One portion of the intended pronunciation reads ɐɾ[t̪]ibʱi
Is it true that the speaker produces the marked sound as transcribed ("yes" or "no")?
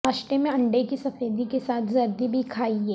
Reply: no